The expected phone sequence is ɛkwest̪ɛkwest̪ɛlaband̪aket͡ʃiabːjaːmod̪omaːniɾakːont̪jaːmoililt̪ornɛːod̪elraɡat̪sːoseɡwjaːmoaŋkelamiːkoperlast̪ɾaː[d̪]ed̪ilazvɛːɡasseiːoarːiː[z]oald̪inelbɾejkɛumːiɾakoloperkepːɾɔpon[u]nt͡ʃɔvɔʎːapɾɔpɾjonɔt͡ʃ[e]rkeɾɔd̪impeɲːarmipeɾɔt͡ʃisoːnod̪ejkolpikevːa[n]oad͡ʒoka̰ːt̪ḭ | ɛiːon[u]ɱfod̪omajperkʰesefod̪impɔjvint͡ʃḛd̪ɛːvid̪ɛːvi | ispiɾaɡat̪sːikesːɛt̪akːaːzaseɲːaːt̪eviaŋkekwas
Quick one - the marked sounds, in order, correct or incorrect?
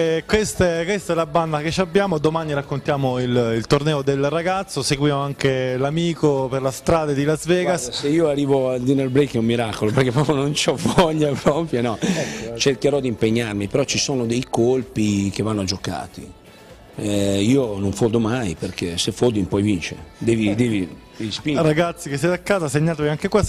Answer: correct, incorrect, incorrect, correct, incorrect, incorrect

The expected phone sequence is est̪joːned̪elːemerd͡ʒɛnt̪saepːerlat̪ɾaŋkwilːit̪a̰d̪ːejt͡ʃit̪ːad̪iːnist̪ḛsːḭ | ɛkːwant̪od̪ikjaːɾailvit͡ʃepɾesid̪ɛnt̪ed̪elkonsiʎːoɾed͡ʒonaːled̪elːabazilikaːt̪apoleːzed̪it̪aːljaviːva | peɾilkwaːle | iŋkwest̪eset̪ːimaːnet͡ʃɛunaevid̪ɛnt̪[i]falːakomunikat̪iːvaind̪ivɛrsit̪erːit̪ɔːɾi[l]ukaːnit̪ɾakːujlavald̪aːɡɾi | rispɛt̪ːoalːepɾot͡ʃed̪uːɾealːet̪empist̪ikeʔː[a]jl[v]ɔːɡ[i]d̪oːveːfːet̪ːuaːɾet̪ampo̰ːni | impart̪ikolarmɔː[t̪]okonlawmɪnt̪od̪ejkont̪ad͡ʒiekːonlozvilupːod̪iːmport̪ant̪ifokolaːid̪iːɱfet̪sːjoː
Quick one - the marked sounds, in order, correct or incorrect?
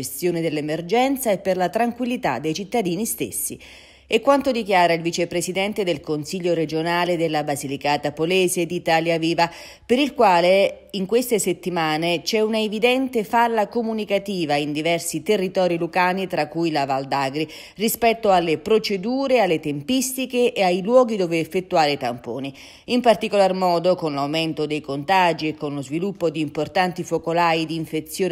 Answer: incorrect, correct, correct, incorrect, correct, incorrect

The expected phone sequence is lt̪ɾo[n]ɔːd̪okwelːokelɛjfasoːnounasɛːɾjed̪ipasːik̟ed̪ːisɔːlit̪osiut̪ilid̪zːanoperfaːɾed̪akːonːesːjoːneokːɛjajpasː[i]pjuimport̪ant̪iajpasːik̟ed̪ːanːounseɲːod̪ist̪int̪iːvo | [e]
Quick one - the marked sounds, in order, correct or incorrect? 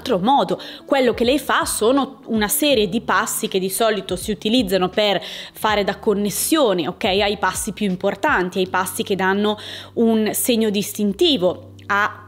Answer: incorrect, correct, incorrect

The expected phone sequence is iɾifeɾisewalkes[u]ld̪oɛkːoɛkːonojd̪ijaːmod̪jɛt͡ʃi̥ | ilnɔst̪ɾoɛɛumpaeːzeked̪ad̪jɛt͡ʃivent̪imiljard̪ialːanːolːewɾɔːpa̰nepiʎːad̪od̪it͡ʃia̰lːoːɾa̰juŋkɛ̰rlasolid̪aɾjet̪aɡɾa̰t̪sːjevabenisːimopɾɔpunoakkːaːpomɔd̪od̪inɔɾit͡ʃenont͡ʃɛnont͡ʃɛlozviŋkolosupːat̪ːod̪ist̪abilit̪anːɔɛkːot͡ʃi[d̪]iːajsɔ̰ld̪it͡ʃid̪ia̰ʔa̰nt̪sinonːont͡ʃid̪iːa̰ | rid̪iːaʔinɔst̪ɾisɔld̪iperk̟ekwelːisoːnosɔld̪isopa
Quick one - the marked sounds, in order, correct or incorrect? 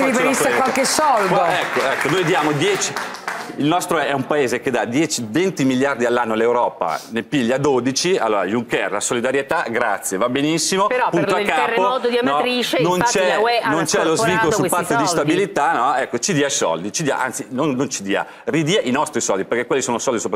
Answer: incorrect, correct

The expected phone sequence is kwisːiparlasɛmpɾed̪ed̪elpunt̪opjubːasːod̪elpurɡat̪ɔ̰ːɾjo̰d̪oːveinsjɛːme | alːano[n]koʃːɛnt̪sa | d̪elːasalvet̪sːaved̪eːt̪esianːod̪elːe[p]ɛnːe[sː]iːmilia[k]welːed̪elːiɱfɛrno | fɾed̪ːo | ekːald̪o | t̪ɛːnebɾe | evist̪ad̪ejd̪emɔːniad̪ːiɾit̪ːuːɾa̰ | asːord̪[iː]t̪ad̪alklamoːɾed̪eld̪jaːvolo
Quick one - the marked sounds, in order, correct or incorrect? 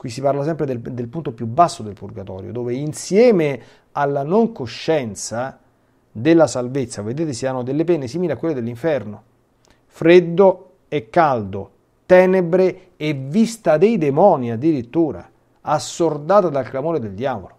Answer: incorrect, correct, incorrect, correct, incorrect

